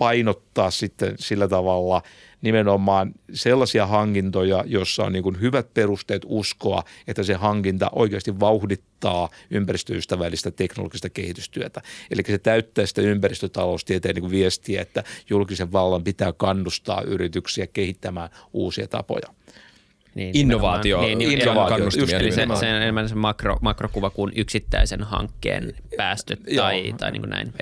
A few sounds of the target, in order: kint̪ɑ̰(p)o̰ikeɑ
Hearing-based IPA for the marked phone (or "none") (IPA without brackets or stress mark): ʔ